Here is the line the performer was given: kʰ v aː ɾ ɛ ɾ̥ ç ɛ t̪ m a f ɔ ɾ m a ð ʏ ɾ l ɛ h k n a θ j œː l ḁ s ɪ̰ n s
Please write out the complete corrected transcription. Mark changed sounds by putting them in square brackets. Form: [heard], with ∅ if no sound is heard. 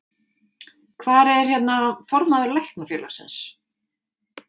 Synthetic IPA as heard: kʰ v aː ɾ ɛ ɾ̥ ç ɛ t̪ [n] a f ɔ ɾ m a ð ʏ ɾ l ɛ h k n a [f] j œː l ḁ s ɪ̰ n s